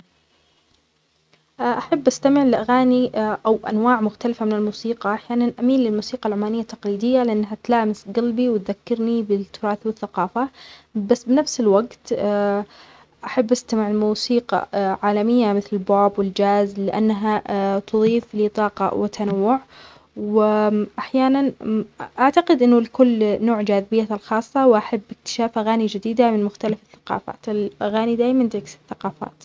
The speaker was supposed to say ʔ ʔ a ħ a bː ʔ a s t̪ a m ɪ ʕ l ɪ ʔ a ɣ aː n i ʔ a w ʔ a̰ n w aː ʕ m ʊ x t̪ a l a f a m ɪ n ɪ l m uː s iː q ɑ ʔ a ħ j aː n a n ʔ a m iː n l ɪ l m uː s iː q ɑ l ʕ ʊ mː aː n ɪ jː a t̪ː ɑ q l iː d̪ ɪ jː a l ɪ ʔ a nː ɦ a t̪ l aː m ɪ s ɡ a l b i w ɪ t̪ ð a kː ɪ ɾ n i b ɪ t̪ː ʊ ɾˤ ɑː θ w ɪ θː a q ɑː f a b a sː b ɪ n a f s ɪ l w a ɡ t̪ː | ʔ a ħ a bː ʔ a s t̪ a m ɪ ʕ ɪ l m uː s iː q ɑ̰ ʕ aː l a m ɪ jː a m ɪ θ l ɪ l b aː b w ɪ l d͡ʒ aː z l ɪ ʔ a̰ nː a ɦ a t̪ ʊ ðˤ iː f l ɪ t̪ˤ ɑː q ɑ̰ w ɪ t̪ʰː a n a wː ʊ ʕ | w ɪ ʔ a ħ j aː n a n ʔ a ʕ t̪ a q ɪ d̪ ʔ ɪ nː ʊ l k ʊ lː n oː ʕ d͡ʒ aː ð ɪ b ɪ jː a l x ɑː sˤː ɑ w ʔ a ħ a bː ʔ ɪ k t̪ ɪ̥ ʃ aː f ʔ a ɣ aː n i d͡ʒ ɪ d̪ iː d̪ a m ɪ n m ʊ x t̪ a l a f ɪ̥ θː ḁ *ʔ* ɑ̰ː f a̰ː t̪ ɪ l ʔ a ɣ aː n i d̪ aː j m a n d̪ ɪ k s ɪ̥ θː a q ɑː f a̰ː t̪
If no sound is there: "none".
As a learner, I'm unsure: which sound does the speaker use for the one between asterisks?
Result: q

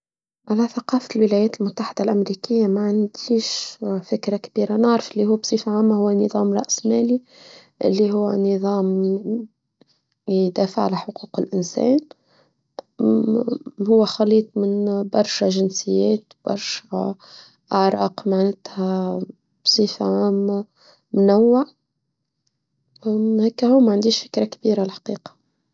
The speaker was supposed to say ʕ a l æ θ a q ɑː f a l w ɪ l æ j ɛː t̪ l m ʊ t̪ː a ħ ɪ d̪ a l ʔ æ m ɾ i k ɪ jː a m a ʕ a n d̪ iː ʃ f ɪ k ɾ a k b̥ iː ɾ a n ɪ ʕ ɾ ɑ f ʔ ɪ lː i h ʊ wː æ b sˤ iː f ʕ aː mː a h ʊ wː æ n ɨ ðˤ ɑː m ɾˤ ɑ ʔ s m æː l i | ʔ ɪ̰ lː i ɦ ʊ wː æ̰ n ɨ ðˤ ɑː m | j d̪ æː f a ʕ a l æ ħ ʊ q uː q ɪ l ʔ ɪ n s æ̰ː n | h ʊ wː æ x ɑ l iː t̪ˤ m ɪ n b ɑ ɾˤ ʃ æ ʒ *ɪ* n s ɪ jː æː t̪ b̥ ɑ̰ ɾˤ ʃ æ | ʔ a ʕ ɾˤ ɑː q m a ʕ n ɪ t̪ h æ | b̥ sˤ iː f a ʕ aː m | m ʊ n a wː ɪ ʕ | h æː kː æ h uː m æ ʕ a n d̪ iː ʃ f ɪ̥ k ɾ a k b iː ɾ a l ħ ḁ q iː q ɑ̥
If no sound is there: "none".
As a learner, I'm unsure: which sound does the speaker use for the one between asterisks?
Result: ɪ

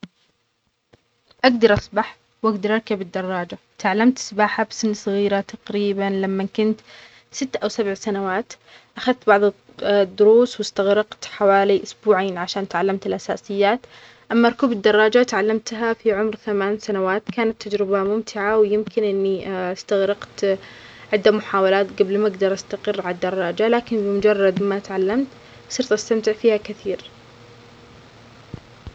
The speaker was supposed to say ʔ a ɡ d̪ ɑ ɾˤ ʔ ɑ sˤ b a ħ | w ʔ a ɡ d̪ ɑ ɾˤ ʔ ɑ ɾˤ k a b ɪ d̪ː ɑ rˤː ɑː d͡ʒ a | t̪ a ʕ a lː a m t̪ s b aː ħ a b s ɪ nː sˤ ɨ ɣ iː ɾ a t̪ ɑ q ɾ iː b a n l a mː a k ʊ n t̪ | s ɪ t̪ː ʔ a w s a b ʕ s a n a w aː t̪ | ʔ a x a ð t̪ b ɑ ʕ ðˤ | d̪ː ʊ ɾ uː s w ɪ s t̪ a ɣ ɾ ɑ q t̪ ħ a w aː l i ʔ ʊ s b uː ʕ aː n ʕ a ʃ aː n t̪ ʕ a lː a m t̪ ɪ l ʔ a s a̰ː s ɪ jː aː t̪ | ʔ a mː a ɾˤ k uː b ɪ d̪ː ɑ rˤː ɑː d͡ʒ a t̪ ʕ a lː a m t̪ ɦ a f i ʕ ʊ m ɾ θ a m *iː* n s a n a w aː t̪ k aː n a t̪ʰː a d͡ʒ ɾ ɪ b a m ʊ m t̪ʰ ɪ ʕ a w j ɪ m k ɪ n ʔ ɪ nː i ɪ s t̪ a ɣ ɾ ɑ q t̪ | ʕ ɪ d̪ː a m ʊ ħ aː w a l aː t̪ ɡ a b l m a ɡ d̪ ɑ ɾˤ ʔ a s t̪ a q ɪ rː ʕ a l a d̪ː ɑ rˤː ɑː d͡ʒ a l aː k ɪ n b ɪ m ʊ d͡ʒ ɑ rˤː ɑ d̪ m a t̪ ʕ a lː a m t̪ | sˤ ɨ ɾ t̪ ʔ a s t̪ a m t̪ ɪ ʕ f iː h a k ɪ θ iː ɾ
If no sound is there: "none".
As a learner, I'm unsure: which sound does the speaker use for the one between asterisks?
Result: aː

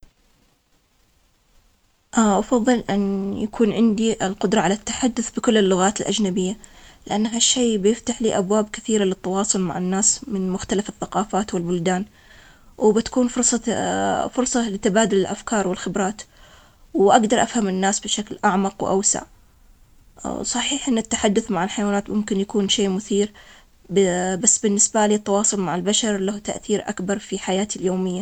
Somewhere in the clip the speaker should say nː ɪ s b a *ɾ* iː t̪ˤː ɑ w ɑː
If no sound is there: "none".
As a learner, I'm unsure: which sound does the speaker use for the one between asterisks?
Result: l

